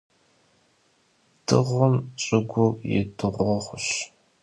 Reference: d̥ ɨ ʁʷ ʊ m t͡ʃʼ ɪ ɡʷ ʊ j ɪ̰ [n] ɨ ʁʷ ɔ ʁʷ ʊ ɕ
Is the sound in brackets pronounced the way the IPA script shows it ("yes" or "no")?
no